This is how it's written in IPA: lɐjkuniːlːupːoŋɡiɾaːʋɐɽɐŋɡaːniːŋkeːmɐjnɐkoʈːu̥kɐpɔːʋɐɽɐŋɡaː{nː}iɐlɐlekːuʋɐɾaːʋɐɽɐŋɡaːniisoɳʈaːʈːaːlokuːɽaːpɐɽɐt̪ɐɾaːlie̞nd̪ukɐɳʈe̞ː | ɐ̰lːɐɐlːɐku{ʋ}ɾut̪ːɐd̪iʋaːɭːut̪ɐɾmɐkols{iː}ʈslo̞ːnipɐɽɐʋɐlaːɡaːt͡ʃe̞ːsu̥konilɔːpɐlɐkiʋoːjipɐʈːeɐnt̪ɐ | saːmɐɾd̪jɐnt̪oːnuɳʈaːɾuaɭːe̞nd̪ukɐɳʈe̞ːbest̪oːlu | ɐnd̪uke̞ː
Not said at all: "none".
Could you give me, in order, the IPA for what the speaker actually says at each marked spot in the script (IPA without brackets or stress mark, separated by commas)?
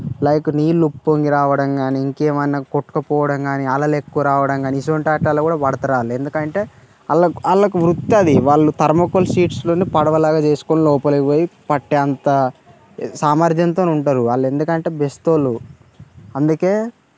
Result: n, ʋ, iː